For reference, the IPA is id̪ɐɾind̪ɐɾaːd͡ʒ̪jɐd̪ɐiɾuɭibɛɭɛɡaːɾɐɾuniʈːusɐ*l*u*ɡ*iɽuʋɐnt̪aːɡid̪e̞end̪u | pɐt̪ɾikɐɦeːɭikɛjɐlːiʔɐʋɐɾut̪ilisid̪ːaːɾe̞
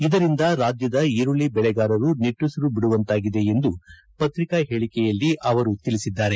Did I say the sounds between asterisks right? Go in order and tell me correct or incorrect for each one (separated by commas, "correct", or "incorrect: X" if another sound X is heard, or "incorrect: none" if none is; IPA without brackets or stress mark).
incorrect: ɾ, incorrect: b